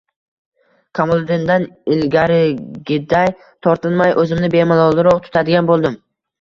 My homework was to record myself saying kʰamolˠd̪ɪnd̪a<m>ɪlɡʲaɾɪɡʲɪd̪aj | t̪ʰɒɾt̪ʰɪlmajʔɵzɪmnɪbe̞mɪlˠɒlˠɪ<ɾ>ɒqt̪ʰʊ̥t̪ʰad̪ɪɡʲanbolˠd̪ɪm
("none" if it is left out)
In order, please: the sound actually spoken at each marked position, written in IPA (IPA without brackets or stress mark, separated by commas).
n, ɾ